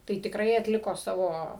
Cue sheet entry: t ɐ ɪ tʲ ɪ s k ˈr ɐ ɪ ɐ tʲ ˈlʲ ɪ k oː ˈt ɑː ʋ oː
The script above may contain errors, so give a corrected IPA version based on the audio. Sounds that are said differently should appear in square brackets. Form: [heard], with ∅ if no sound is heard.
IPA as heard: t ɐ ɪ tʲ ɪ [∅] k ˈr ɐ ɪ ɐ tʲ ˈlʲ ɪ k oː [ˈs] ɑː ʋ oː